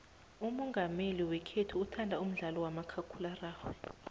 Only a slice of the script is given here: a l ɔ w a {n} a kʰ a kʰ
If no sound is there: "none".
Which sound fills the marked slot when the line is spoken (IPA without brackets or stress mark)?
m